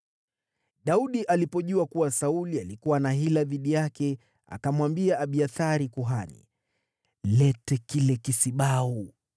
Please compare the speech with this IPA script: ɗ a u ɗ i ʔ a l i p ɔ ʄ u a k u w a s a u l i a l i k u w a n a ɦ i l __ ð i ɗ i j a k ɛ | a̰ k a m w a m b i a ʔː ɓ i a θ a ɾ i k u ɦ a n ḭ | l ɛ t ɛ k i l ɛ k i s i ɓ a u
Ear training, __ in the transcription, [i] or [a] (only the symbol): a